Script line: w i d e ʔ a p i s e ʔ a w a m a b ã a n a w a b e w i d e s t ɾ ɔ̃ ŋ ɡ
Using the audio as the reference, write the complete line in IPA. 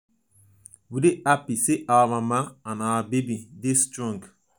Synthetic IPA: w i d e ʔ a p i s e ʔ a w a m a m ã a n a w a b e b i d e s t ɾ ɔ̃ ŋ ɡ